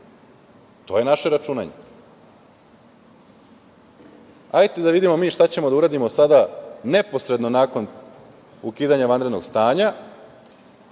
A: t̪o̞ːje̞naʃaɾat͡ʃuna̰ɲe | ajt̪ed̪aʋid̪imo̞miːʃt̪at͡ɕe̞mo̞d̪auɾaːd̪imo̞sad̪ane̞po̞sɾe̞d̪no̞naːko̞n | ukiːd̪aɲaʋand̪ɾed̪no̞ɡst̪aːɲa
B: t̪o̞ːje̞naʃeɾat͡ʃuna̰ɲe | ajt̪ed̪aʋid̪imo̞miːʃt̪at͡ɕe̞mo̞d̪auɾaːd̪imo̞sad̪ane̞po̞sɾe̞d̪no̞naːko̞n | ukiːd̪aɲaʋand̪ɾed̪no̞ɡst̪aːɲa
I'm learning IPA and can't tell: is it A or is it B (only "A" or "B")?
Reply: B